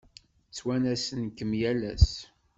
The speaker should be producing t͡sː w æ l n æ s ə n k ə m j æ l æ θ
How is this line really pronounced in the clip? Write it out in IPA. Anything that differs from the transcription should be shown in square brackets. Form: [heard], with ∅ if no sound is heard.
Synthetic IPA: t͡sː w æ [∅] n æ s ə n k ə m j æ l æ [s]